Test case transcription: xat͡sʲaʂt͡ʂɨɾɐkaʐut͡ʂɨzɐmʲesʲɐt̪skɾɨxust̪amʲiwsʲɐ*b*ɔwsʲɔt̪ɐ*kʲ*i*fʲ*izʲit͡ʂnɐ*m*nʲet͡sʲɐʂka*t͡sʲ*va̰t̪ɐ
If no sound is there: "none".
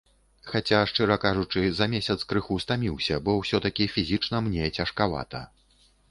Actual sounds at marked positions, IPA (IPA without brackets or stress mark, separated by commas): b, kʲ, fʲ, m, none